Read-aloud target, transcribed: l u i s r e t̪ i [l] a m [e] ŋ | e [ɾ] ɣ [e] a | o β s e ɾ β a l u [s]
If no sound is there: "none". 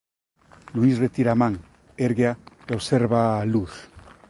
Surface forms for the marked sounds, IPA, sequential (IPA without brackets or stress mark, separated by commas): ɾ, a, ɾ, e, θ